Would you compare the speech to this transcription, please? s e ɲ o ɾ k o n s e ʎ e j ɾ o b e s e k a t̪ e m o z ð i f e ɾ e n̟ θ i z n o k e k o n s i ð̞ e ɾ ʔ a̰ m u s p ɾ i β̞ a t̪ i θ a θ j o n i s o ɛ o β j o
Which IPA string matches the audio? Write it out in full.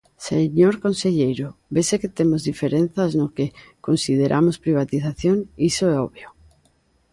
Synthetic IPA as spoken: s e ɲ o ɾ k o n s e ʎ e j ɾ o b e s e k e t̪ e m o z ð i f e ɾ e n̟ θ a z n o k e k o n s i ð̞ e ɾ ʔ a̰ m o s p ɾ i β̞ a t̪ i θ a θ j o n i s o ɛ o β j o